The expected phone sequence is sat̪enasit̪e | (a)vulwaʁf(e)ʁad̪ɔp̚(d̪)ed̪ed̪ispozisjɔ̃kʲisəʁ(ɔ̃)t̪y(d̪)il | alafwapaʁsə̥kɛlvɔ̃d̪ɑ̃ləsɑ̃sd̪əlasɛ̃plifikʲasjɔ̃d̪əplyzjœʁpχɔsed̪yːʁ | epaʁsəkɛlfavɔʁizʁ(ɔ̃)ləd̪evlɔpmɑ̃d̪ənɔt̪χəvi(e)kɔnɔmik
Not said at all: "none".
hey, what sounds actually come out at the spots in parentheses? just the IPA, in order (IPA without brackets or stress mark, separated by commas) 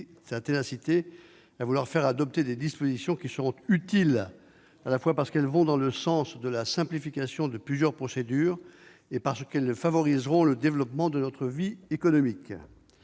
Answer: a, ɛ, t̪, ɔ̃, t̪, ɔ̃, e